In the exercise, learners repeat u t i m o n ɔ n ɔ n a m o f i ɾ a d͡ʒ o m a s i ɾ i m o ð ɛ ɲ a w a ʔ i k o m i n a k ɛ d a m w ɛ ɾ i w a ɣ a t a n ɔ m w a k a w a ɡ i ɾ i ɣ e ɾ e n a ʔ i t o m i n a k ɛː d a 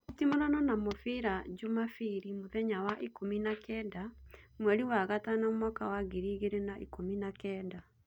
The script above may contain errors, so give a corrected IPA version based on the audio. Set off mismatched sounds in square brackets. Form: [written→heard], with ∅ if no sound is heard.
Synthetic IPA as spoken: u t i m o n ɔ n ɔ n a m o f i ɾ a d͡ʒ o m a [s→f] i ɾ i m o ð ɛ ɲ a w a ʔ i k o m i n a k ɛ d a m w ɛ ɾ i w a ɣ a t a n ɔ m w a k a w a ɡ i ɾ i ɣ e ɾ e n a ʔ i [t→k] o m i n a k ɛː d a

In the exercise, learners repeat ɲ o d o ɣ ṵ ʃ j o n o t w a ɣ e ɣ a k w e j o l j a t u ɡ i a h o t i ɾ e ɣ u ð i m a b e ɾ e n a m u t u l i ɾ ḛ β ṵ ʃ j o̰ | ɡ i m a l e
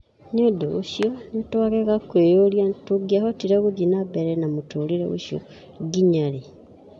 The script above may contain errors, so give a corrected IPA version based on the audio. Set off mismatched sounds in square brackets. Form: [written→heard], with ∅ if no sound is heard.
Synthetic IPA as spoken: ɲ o d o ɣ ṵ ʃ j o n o t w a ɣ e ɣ a k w e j o l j a t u ɡ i a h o t i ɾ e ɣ u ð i [m→n] a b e ɾ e n a m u t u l i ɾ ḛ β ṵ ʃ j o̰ | ɡ i [m→ɲ] a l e

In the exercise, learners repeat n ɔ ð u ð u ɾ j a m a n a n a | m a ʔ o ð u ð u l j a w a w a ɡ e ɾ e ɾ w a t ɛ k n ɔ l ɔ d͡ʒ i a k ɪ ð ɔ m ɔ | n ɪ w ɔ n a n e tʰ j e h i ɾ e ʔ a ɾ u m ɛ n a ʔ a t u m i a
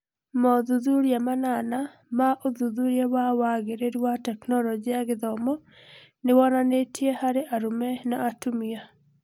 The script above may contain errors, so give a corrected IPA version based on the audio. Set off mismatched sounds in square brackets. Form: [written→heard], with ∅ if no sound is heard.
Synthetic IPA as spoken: [n→m] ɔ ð u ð u ɾ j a m a n a n a | m a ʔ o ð u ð u [l→ɾ] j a w a w a ɡ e ɾ e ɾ w a t ɛ k n ɔ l ɔ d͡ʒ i a [k→ɡ] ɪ ð ɔ m ɔ | n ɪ w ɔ n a n e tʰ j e h [i→a] ɾ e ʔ a ɾ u m ɛ n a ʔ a t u m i a

